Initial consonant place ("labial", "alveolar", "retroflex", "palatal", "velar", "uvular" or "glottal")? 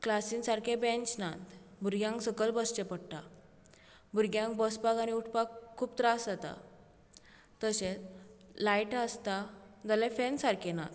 velar